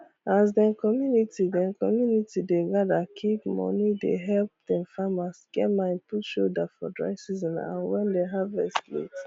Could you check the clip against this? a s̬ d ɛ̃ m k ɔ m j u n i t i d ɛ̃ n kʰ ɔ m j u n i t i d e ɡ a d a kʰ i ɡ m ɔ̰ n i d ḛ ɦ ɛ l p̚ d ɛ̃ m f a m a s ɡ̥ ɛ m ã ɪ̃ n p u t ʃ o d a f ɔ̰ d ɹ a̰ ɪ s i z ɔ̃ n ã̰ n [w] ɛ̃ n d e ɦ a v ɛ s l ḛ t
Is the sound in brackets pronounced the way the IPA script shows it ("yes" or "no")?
yes